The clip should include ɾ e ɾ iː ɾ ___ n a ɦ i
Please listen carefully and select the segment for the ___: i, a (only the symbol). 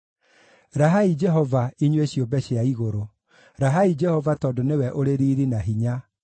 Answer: i